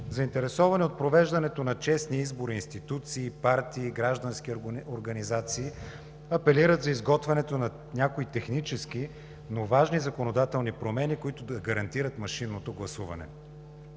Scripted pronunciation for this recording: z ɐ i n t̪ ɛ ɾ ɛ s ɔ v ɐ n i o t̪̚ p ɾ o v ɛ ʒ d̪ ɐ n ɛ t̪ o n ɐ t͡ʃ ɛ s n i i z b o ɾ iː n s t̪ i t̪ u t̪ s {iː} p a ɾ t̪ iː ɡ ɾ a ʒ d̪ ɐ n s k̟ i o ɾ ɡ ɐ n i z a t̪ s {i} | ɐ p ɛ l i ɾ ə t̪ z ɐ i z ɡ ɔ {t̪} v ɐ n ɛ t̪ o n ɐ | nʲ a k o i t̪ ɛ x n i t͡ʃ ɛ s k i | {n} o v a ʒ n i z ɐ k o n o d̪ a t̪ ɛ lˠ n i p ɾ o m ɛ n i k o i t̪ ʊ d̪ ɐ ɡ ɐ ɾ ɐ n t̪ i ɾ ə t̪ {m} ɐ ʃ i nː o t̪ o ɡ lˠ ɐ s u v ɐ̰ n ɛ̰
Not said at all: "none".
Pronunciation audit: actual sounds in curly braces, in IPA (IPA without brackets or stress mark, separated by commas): iː, iː, t̪, n, m